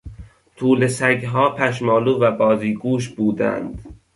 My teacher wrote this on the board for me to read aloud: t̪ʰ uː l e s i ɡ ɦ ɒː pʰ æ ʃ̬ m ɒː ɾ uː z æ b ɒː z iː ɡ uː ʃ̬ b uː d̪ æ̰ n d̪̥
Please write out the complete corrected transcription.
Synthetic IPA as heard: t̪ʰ uː l e s æ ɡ ɦ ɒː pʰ æ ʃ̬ m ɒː l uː v æ b ɒː z iː ɡ uː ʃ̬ b uː d̪ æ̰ n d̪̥